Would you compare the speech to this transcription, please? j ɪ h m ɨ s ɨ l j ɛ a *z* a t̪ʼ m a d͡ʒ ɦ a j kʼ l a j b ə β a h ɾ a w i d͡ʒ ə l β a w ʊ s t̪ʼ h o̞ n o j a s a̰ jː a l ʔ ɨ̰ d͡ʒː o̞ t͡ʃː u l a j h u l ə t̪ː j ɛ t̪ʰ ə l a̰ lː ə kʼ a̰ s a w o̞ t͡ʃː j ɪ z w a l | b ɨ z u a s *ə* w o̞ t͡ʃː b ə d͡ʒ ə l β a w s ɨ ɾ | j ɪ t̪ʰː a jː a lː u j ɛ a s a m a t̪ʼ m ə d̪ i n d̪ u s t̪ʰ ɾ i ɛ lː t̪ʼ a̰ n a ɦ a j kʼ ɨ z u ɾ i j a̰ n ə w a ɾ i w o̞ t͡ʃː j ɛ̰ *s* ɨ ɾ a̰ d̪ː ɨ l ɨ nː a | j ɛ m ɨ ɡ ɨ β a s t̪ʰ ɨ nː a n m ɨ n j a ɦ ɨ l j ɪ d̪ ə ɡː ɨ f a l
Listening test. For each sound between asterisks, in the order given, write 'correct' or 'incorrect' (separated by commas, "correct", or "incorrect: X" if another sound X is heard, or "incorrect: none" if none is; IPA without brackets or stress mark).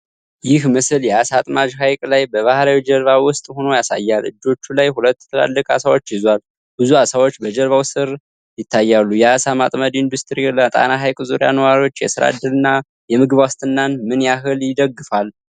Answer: incorrect: s, incorrect: a, correct